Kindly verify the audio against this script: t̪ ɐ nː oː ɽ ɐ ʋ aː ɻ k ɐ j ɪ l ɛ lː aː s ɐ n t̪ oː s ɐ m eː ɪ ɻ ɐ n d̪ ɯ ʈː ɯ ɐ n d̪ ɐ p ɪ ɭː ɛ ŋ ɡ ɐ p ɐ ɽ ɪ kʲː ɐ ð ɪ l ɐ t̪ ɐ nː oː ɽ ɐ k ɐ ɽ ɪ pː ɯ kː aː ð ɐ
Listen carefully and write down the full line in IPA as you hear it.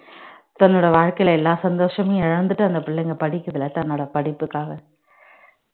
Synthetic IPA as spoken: t̪ ɐ nː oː ɽ ɐ ʋ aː ɻ k ɐ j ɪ l ɛ lː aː s ɐ n d̪ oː ʂ ɐ m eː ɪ ɻ ɐ n d̪ ɯ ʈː ɯ ɐ n d̪ ɐ p ɪ ɭː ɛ ŋ ɡ ɐ p ɐ ɽ ɪ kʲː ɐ ð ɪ l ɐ t̪ ɐ nː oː ɽ ɐ p ɐ ɽ ɪ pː ɯ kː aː ɣ ɐ

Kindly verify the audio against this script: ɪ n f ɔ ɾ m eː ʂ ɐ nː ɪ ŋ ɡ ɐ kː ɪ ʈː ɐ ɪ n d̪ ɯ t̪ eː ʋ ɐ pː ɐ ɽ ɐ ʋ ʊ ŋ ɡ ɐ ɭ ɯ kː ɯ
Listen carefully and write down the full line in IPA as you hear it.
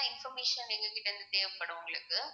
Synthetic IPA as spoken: ɪ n f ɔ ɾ m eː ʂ ɐ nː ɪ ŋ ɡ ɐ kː ɪ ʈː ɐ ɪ n d̪ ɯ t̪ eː ʋ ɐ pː ɐ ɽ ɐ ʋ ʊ ŋ ɡ ɐ ɭ ɯ kː ɯ

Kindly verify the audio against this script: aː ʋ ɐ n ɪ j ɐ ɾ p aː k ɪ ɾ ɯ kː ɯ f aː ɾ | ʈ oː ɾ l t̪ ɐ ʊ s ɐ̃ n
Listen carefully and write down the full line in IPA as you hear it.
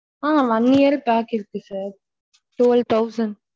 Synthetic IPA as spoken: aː ʋ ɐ n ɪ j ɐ ɾ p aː k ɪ ɾ ɯ kː ɯ s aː ɾ | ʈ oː l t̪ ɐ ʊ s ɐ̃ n

